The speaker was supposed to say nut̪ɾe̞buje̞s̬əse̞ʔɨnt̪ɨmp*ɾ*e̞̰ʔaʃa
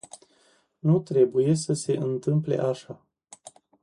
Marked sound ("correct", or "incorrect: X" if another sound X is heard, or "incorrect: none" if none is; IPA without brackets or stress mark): incorrect: l